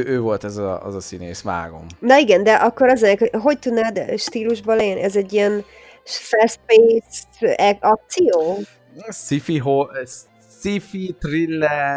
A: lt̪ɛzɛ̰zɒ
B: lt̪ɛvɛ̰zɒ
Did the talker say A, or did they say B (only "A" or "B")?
A